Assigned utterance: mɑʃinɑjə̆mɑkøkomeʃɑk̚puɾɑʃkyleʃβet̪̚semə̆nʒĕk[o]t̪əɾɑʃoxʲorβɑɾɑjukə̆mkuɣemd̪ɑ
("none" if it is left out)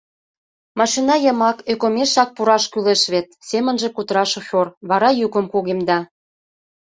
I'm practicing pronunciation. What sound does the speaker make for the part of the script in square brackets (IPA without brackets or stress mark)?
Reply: u